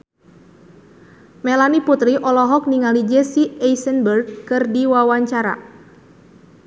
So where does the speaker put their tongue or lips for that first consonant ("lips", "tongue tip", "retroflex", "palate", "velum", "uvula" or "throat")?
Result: lips